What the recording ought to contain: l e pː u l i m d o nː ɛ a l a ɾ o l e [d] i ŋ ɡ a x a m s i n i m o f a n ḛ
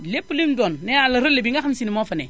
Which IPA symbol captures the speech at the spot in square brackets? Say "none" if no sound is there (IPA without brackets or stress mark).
b